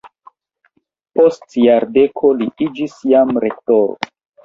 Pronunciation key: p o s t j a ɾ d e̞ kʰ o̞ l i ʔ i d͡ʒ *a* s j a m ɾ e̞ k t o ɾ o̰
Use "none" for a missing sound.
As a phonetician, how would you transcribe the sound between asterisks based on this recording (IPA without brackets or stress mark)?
i